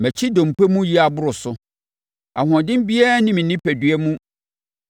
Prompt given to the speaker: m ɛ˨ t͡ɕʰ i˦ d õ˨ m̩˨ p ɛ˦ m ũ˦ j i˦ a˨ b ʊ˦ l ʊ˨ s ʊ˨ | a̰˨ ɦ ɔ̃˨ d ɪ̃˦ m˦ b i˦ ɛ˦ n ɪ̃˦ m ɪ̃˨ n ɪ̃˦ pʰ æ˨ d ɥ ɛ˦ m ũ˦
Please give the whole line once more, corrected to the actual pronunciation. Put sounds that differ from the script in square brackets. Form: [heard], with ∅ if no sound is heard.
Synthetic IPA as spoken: m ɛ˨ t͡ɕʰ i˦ d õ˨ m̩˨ p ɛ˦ m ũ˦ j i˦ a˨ b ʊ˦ [ɾ] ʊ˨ s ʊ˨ | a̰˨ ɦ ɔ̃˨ d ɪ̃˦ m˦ b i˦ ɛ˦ n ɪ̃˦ m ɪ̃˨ n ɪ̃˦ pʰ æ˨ d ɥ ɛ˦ m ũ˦